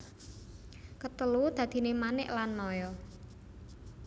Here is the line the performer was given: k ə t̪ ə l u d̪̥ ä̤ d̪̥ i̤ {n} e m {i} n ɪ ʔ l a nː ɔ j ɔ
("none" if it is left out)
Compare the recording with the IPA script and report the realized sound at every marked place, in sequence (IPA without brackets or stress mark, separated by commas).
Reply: n, a